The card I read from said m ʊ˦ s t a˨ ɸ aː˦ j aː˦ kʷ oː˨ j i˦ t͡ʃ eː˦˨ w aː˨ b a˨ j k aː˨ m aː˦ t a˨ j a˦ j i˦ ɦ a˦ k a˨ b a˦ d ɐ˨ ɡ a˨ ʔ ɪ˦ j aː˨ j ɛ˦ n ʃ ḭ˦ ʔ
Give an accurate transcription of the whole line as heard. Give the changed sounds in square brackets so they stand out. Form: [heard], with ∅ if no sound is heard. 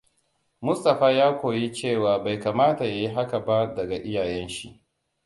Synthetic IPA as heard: m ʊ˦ s t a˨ ɸ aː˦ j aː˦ kʷ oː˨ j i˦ t͡ʃ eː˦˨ w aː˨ b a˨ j k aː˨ m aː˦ t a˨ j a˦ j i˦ ɦ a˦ k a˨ b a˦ d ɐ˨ ɡ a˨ ʔ ɪ˦ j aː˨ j ɛ˦ n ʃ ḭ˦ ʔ